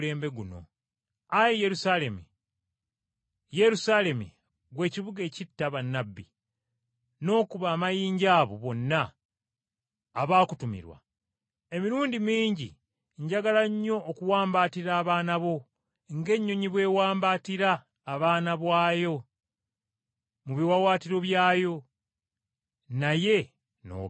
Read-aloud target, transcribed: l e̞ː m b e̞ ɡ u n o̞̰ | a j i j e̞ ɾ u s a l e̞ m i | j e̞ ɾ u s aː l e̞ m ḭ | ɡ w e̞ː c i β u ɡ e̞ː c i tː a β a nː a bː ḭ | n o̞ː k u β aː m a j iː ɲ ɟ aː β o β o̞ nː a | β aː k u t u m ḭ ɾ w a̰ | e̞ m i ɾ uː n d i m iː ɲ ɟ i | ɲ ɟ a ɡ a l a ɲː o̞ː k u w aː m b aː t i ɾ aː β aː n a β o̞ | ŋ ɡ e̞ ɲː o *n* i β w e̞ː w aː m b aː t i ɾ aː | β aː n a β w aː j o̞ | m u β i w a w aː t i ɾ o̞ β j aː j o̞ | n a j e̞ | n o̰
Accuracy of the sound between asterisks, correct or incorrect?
incorrect